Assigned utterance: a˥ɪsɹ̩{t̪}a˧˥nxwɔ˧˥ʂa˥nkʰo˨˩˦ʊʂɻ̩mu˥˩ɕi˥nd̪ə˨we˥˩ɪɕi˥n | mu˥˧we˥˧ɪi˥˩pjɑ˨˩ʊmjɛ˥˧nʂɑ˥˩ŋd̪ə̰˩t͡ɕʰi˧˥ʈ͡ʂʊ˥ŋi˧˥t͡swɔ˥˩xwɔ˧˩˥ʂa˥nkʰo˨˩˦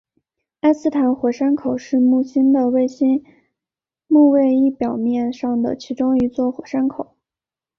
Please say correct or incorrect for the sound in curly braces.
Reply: incorrect